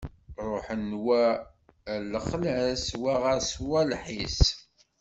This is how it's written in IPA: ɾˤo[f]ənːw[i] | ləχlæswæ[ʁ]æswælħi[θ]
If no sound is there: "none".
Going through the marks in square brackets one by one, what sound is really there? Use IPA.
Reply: ħ, æ, ʁ, s

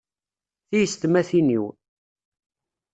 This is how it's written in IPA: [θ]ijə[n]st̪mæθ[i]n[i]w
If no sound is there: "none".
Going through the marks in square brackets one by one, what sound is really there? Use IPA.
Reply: θ, none, i, i

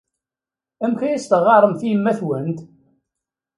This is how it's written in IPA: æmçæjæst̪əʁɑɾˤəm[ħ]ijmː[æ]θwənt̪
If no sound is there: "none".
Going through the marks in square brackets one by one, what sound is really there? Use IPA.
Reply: θ, æ

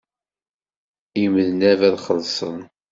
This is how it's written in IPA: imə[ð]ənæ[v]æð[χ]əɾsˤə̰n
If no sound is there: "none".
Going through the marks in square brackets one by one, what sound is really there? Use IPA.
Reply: ð, v, χ

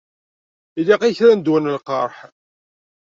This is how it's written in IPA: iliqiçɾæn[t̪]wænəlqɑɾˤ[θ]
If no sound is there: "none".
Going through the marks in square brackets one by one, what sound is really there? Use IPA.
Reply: d̪, ħ

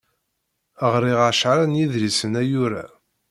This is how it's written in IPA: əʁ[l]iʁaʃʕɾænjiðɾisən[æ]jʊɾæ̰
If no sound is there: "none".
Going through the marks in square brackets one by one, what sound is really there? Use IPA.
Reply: ɾ, æ

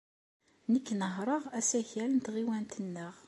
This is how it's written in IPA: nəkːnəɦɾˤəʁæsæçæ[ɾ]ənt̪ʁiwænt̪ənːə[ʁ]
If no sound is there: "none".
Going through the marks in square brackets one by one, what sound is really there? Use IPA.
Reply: l, ʁ

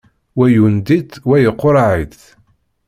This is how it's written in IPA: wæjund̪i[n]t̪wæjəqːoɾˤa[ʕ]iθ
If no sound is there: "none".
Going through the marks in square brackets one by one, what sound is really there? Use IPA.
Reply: none, ʕ

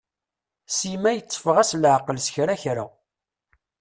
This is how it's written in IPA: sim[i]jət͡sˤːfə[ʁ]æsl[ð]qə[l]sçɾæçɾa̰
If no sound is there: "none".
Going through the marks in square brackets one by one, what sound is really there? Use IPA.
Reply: æ, ʁ, ʕ, l

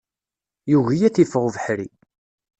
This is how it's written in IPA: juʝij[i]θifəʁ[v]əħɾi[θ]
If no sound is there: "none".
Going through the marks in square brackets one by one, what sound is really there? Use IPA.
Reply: æ, v, none

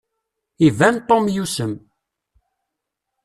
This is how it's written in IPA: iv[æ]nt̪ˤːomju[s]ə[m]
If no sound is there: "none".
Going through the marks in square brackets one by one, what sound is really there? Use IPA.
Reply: æ, s, m

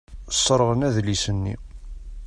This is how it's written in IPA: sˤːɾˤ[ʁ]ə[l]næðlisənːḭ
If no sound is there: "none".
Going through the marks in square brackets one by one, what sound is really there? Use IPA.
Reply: ʁ, none

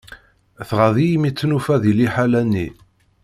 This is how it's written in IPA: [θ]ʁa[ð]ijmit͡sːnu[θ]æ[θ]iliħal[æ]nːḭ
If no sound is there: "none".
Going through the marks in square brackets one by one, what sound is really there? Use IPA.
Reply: θ, ð, f, ð, æ

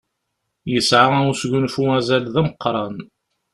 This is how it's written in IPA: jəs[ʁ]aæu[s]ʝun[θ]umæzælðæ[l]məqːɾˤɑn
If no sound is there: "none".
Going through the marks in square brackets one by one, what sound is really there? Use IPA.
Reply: ʕ, s, f, none

